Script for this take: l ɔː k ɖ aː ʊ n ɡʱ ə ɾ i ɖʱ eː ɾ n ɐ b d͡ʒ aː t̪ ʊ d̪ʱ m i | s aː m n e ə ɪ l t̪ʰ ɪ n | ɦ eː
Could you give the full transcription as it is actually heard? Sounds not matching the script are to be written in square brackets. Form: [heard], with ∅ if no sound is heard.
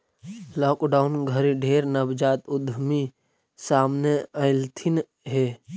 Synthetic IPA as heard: l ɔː k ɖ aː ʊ n ɡʱ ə ɾ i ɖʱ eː ɾ n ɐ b d͡ʒ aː t̪ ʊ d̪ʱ m i | s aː m n e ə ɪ l t̪ʰ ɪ n | ɦ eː